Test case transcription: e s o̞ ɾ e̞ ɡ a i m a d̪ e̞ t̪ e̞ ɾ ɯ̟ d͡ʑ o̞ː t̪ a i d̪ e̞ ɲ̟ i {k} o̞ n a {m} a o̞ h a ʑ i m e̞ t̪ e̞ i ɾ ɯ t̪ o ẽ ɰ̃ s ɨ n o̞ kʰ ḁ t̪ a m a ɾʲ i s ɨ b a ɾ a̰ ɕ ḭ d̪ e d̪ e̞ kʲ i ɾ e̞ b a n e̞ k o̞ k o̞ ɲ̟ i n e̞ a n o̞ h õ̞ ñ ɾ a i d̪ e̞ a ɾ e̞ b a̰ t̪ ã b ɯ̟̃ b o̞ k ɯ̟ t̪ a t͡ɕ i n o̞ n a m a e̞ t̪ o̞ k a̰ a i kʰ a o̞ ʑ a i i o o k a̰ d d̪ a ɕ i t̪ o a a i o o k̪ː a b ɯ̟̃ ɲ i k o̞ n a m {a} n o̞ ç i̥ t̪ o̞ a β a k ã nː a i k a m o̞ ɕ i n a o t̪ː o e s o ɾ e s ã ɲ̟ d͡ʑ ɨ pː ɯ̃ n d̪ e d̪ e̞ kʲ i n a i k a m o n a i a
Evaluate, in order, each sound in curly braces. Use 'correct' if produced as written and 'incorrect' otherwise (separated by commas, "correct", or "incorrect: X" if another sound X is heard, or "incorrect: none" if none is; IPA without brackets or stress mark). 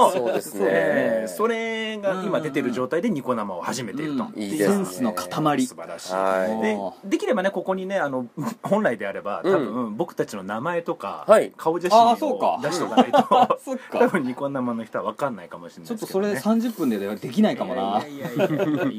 correct, correct, correct